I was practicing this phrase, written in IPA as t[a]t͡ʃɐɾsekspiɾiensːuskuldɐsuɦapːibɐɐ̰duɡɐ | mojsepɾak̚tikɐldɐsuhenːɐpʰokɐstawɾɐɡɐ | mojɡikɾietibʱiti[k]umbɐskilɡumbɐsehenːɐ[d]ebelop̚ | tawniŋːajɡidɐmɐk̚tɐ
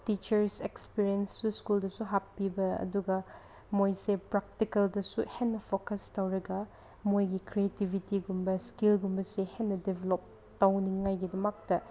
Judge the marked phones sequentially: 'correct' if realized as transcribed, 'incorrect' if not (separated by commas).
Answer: incorrect, incorrect, correct